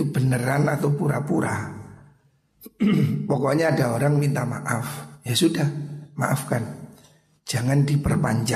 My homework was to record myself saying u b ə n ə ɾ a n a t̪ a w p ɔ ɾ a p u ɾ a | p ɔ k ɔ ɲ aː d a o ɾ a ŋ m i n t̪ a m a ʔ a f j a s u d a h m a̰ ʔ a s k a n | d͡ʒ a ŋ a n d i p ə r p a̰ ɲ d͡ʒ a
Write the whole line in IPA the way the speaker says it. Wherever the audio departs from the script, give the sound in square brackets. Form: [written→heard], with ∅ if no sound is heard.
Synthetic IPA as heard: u b ə n ə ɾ a n a t̪ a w p [ɔ→u] ɾ a p u ɾ a | p ɔ k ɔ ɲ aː d a o ɾ a ŋ m i n t̪ a m a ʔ a f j a s u d a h m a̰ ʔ a [s→f] k a n | d͡ʒ a ŋ a n d i p ə r p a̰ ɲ d͡ʒ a